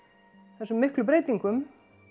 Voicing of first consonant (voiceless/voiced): voiceless